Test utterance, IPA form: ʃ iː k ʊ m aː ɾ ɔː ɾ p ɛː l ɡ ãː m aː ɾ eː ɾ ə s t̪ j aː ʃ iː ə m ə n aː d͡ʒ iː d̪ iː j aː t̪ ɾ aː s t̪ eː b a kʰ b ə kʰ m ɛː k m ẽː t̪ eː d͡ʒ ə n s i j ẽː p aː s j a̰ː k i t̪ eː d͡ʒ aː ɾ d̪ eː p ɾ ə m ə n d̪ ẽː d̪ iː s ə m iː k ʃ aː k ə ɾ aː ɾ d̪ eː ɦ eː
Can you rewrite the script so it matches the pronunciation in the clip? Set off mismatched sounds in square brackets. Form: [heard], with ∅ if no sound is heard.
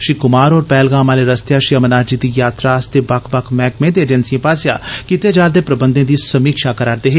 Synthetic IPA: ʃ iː k ʊ m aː ɾ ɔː ɾ p ɛː l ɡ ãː m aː [l] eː ɾ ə s t̪ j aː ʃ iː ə m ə n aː d͡ʒ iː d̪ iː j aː t̪ ɾ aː s t̪ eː b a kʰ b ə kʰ m ɛː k m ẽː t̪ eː d͡ʒ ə n s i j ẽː p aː s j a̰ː k i t̪ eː d͡ʒ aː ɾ d̪ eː p ɾ ə [b] ə n d̪ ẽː d̪ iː s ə m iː k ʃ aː k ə ɾ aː ɾ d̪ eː ɦ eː